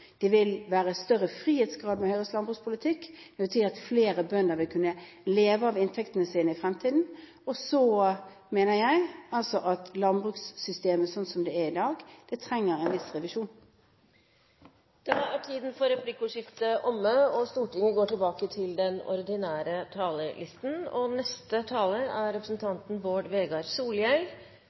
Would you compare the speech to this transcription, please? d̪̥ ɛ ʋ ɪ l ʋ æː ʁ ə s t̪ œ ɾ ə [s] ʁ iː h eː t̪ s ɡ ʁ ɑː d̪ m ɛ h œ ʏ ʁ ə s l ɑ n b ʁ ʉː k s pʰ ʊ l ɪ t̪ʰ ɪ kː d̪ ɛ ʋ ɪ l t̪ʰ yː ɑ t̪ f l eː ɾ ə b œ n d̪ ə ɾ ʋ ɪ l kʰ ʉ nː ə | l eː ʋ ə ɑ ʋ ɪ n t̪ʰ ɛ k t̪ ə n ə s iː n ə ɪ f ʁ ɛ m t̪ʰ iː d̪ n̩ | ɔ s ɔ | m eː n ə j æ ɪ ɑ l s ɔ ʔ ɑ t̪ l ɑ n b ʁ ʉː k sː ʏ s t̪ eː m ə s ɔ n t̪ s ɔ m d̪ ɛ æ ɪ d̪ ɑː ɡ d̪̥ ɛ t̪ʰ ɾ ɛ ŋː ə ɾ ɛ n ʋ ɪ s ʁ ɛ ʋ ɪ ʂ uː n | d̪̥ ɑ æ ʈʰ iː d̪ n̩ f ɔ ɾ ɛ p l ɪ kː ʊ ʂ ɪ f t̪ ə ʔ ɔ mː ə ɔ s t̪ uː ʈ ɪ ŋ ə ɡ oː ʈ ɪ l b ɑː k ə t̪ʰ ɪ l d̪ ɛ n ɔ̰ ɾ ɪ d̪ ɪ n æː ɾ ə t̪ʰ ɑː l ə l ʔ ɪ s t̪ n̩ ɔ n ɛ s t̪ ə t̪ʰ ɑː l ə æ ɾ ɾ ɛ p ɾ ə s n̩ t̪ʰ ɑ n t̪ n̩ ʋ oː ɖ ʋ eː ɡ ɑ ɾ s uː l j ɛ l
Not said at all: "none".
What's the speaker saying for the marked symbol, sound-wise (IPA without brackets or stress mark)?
f